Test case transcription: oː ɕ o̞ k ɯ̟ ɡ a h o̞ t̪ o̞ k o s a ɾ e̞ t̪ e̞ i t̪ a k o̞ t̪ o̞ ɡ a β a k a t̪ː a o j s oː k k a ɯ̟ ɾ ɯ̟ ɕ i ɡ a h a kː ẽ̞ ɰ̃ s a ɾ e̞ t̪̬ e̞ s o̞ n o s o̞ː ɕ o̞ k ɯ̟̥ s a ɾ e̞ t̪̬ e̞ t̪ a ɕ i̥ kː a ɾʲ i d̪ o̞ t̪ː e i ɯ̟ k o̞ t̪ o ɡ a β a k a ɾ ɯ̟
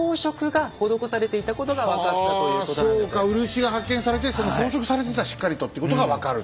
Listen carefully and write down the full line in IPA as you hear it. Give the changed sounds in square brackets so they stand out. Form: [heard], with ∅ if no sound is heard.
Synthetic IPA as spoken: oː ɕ o̞ k ɯ̟ ɡ a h o̞ [d̪] o̞ k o s a ɾ e̞ t̪ e̞ i t̪ a k o̞ t̪ o̞ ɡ a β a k a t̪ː a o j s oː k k a ɯ̟ ɾ ɯ̟ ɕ i ɡ a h a kː ẽ̞ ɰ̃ s a ɾ e̞ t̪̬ e̞ s o̞ n o s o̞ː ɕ o̞ k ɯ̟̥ s a ɾ e̞ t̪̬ e̞ t̪ a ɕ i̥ kː a ɾʲ i [t̪] o̞ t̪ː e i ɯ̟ k o̞ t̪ o ɡ a β a k a ɾ ɯ̟